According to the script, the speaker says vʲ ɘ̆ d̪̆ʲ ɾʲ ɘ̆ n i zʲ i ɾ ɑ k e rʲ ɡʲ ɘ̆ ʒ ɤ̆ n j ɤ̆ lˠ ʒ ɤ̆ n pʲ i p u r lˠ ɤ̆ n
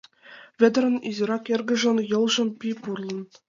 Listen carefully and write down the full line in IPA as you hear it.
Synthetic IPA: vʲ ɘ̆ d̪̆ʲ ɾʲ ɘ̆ n i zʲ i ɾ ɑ k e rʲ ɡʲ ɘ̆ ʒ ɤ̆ n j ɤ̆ lˠ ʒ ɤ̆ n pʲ i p u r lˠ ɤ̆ n